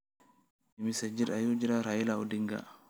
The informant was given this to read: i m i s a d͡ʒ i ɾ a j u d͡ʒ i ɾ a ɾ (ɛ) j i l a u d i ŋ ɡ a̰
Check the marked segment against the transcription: incorrect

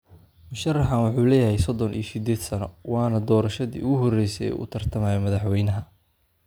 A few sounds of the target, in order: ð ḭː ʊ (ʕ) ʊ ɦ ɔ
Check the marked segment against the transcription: incorrect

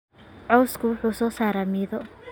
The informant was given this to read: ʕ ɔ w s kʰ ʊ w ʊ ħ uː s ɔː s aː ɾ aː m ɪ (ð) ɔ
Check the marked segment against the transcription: correct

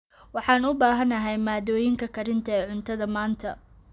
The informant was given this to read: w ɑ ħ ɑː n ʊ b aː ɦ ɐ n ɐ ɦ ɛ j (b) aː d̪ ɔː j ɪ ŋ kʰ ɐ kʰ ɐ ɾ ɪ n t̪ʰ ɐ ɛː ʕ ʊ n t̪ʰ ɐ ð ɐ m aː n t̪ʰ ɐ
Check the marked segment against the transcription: incorrect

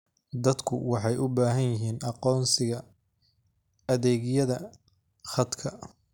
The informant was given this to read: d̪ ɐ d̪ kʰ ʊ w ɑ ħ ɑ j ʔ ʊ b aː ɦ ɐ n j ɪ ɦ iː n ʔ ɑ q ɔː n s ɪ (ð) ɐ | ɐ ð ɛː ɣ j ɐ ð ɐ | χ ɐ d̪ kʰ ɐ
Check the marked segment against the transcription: incorrect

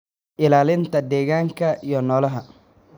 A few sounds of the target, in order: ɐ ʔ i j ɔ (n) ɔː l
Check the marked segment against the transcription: correct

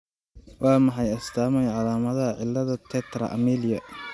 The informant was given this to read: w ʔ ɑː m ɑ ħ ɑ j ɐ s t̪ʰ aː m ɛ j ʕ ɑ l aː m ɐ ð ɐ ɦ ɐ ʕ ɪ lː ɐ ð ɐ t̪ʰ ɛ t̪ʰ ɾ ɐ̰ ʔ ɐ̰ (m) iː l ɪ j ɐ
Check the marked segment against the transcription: correct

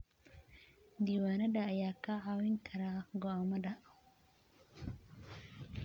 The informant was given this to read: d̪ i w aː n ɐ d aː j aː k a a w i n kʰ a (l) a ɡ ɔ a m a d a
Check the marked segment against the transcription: incorrect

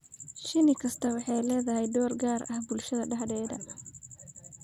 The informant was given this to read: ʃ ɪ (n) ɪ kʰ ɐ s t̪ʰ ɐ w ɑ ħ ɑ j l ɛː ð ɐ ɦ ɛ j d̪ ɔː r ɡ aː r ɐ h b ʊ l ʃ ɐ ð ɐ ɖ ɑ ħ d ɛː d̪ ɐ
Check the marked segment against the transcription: correct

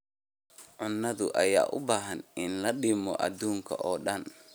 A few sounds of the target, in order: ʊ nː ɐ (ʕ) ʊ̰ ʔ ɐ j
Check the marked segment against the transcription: incorrect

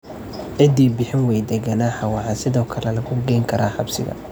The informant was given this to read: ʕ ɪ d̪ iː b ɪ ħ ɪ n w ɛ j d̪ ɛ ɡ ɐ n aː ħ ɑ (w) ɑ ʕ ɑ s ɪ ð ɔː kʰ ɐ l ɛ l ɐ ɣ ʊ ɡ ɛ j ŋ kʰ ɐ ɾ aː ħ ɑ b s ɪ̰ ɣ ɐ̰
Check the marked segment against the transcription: correct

